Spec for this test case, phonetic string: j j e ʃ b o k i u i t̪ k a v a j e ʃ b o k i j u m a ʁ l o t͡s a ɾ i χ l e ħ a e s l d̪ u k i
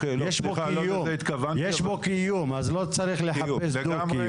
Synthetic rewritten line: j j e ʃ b o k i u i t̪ k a v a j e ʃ b o k i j u m a z l o t͡s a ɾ i χ l e ħ a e s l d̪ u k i